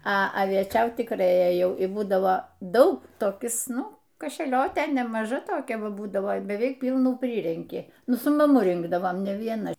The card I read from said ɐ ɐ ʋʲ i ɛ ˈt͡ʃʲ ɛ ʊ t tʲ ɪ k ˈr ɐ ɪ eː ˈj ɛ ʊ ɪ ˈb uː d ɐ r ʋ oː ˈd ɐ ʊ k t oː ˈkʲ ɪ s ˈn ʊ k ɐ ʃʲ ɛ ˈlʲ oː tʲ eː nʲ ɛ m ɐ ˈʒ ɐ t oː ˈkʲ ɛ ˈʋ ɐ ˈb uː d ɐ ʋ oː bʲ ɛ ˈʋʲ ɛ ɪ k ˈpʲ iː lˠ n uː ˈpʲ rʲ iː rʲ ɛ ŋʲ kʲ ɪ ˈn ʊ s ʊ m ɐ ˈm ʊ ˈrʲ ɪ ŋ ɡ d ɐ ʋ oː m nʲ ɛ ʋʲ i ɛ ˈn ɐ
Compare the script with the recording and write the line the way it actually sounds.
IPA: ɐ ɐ ʋʲ i ɛ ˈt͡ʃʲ ɛ ʊ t tʲ ɪ k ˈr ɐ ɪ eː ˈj ɛ ʊ ɪ ˈb uː d ɐ ʋ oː ˈd ɐ ʊ k t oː ˈkʲ ɪ s ˈn ʊ k ɐ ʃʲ ɛ ˈlʲ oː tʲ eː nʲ ɛ m ɐ ˈʒ ɐ t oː ˈkʲ ɛ ˈʋ ɐ ˈb uː d ɐ ʋ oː bʲ ɛ ˈʋʲ ɛ ɪ k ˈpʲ iː lˠ n uː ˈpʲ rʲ iː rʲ ɛ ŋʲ kʲ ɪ ˈn ʊ s ʊ m ɐ ˈm ʊ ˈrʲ ɪ ŋ ɡ d ɐ ʋ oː m nʲ ɛ ʋʲ i ɛ ˈn ɐ